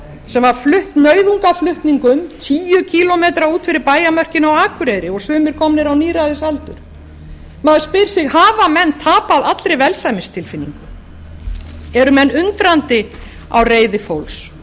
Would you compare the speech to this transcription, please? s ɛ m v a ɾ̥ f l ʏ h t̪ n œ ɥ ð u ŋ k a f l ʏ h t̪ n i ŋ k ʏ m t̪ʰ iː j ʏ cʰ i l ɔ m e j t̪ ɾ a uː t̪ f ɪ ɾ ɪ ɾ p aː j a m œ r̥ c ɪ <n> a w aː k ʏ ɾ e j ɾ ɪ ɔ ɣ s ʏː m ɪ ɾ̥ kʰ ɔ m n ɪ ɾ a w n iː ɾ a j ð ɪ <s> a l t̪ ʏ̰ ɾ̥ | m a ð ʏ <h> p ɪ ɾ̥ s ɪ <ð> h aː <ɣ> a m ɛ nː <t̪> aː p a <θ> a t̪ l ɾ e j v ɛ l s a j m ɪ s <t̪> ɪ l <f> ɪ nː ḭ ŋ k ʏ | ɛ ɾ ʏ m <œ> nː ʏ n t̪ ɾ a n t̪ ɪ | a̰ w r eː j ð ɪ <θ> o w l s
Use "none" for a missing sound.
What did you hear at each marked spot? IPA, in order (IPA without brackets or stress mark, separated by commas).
n, s, s, ɣ, v, t̪ʰ, ð, t̪ʰ, f, ɛ, f